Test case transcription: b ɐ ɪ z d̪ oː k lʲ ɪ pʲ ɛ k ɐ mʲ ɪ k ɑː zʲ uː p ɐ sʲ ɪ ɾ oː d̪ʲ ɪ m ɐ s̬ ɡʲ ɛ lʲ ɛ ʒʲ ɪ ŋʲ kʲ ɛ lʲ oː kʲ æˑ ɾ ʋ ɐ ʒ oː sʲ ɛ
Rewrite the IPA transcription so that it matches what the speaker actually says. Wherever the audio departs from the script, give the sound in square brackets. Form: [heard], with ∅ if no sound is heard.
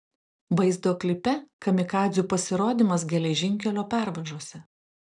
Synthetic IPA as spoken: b ɐ ɪ z d̪ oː k lʲ ɪ pʲ ɛ k ɐ mʲ ɪ k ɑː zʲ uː p ɐ sʲ ɪ ɾ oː d̪ʲ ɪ m ɐ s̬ ɡʲ ɛ lʲ ɛ ʒʲ ɪ ŋʲ kʲ ɛ lʲ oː [pʲ] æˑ ɾ ʋ ɐ ʒ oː sʲ ɛ